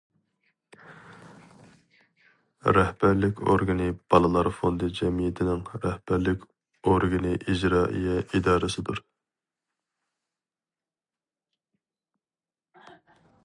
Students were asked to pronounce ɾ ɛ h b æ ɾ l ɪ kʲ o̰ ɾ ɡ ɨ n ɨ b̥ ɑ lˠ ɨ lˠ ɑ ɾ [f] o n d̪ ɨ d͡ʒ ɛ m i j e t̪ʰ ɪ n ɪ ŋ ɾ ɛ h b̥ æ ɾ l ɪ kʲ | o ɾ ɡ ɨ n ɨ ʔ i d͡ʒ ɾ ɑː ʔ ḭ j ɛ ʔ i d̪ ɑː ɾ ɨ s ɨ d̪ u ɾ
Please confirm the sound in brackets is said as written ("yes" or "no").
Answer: yes